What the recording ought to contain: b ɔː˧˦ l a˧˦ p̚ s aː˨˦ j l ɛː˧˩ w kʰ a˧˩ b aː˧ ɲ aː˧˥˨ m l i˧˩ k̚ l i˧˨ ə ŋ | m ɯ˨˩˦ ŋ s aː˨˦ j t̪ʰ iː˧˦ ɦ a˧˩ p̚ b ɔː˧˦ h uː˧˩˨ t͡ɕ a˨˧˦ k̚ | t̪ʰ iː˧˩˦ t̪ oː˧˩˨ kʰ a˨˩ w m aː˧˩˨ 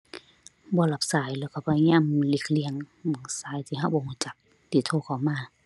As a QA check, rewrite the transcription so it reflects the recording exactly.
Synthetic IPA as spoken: b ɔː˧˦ l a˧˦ p̚ s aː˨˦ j l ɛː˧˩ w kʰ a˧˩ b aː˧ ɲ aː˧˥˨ m l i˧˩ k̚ l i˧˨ ə ŋ | m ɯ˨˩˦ ŋ s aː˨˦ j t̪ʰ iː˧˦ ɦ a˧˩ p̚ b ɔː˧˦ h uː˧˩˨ t͡ɕ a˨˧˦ k̚ | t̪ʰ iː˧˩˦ t̪ʰ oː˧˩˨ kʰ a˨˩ w m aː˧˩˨